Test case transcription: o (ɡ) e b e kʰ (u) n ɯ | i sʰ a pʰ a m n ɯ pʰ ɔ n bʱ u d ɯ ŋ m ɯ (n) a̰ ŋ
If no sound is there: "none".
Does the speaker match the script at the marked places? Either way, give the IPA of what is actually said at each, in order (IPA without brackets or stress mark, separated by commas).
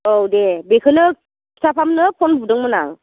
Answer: d, ɯ, n